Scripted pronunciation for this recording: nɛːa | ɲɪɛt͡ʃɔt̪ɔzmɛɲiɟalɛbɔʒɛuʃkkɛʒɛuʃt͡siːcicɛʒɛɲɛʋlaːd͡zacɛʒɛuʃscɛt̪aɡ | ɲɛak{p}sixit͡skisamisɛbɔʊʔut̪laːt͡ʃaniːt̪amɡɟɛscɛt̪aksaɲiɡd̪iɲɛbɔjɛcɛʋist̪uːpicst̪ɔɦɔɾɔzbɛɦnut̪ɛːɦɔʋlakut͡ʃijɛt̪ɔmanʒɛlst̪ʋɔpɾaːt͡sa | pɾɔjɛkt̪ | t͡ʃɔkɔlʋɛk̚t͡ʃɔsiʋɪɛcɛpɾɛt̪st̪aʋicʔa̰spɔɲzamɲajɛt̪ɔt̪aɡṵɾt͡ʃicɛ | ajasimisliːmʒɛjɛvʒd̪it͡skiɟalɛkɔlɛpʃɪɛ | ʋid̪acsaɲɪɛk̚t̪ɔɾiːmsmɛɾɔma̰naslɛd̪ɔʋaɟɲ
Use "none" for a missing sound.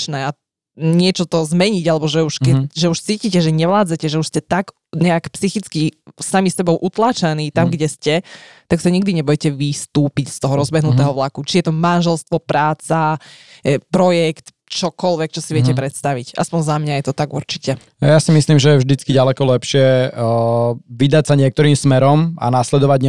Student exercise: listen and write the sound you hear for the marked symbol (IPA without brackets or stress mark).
p